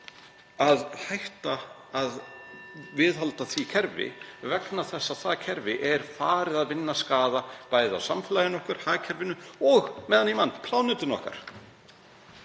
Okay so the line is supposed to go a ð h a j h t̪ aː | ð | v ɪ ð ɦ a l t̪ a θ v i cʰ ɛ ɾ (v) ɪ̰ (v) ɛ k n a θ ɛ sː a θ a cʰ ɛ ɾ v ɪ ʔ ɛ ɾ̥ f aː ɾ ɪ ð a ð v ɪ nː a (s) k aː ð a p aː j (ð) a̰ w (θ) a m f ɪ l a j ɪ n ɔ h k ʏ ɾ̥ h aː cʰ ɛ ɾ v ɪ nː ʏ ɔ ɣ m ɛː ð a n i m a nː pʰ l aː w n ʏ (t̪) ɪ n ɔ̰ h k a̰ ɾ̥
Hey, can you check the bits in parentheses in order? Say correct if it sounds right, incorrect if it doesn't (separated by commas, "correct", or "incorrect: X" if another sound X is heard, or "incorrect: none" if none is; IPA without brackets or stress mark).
correct, correct, correct, correct, incorrect: s, correct